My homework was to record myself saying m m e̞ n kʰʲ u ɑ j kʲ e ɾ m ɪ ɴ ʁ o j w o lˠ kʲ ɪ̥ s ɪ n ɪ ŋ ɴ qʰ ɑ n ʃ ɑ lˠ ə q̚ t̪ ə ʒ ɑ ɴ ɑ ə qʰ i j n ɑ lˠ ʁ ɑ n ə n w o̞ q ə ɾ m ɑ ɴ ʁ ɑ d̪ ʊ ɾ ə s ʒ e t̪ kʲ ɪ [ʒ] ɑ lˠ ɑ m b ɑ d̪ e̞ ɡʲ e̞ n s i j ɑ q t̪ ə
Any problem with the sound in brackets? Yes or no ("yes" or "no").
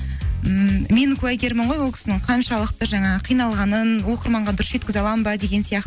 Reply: yes